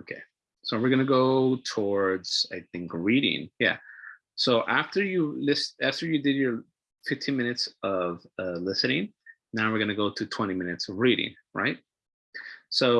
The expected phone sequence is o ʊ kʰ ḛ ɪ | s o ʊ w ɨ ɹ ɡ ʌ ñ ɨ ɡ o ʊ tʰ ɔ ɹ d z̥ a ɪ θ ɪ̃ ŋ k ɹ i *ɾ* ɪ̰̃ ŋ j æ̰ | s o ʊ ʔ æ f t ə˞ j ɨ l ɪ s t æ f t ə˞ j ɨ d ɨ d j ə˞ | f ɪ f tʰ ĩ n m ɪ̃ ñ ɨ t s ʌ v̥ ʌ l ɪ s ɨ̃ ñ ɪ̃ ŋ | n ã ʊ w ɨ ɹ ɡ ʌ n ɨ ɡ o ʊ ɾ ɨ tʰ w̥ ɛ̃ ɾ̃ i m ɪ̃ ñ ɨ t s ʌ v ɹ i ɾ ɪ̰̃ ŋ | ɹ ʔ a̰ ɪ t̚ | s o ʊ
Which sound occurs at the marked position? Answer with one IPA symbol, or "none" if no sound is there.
ɾ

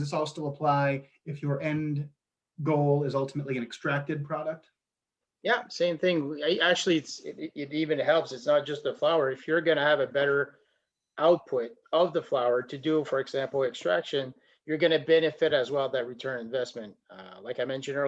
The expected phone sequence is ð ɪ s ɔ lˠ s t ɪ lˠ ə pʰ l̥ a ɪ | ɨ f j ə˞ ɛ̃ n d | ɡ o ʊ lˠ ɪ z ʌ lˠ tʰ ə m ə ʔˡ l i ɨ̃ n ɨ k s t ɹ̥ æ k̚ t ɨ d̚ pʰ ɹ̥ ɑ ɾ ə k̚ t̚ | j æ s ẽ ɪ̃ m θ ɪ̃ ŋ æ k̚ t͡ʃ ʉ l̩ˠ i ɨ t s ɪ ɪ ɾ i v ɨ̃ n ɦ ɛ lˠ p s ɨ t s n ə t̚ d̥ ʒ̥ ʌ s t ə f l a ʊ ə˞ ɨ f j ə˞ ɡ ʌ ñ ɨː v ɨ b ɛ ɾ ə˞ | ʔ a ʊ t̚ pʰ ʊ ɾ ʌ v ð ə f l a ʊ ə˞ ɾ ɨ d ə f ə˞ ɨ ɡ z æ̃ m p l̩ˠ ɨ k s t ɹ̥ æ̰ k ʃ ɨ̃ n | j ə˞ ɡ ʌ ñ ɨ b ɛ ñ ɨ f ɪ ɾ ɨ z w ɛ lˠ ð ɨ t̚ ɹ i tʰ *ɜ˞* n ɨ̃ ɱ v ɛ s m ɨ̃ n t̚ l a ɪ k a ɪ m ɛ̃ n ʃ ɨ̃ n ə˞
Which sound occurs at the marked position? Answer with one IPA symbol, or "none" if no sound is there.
ɜ̃˞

